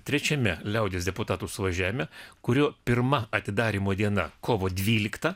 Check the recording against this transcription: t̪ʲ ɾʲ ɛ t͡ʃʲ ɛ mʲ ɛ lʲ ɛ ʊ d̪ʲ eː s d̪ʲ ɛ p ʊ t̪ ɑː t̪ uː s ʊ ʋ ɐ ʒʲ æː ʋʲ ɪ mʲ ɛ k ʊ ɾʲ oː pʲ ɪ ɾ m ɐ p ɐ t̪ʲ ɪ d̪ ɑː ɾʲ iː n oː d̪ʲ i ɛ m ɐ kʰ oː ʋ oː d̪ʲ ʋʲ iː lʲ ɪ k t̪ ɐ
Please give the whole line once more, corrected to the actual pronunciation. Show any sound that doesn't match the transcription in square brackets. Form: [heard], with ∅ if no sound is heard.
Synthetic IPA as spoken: t̪ʲ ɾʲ ɛ t͡ʃʲ ɛ mʲ ɛ lʲ ɛ ʊ d̪ʲ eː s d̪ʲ ɛ p ʊ t̪ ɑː t̪ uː s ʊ ʋ ɐ ʒʲ æː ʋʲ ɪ mʲ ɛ k ʊ ɾʲ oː pʲ ɪ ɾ m ɐ [∅] ɐ t̪ʲ ɪ d̪ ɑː ɾʲ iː [m] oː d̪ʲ i ɛ [n] ɐ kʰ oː ʋ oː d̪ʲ ʋʲ iː lʲ ɪ k t̪ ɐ